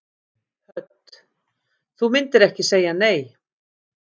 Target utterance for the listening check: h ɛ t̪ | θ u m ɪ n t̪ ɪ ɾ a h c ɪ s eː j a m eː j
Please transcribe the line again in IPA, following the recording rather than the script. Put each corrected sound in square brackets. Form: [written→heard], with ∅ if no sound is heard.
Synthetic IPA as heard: h [ɛ→œ] t̪ | θ u m ɪ n t̪ ɪ ɾ [a→ɛ] h c ɪ s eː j a [m→n] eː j

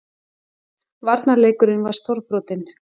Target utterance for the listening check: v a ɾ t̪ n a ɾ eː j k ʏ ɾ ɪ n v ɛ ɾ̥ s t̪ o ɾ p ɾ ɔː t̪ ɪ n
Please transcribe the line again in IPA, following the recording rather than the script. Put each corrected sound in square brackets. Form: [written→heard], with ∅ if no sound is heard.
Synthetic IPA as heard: v a ɾ t̪ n a [ɾ→l] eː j k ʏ ɾ ɪ n v [ɛ→a] ɾ̥ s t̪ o ɾ p ɾ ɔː t̪ ɪ n

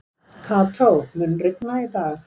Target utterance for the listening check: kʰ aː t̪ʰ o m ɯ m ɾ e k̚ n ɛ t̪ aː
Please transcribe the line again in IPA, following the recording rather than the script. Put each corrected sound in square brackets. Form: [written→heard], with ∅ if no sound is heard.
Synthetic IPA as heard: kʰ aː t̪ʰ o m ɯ [m→n] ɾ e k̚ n [ɛ→a] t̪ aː

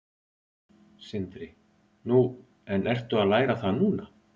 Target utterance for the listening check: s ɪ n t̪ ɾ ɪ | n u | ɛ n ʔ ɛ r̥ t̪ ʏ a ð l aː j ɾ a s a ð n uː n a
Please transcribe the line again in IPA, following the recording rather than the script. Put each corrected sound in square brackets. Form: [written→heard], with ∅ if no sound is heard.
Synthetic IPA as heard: s ɪ n t̪ ɾ ɪ | n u | ɛ n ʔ ɛ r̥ t̪ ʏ a ð l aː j ɾ a [s→θ] a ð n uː n a

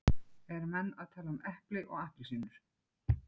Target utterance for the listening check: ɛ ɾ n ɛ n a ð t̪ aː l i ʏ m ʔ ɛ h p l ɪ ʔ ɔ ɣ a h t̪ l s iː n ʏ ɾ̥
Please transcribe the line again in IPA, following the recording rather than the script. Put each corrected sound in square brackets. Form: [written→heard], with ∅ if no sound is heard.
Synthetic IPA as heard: ɛ ɾ [n→m] ɛ [n→nː] a ð [t̪→t̪ʰ] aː l [i→a] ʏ m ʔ ɛ h p l ɪ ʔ ɔ ɣ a h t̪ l s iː n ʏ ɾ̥

